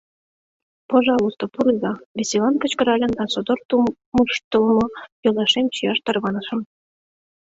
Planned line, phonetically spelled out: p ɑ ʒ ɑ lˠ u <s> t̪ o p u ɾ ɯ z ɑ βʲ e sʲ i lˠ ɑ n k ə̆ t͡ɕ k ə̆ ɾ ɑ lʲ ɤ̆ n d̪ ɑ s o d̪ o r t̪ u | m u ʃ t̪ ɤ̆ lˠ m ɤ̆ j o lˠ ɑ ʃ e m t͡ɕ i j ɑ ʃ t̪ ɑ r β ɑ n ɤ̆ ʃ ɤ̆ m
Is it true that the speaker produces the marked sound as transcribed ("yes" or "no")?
yes